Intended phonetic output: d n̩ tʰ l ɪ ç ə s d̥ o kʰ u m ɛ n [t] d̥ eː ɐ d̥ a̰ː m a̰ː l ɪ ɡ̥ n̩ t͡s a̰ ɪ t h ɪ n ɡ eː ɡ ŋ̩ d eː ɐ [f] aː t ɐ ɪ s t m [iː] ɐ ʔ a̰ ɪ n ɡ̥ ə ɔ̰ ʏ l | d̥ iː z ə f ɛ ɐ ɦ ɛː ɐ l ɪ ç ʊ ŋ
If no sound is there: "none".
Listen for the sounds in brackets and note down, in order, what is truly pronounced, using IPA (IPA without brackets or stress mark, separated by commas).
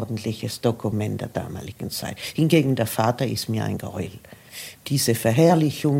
t, f, iː